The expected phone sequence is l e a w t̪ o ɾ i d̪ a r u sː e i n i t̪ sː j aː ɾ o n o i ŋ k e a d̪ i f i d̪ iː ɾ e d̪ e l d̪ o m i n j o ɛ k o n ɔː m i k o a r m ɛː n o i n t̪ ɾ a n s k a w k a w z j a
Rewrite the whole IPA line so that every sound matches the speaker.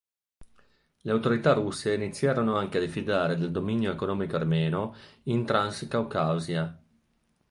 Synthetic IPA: l e a w t̪ o ɾ i t̪ a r u sː e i n i t̪ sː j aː ɾ o n o a ŋ k e a d̪ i f i d̪ aː ɾ e d̪ e l d̪ o m i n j o e k o n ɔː m i k o a r m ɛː n o i n t̪ ɾ a n s k a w k a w z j a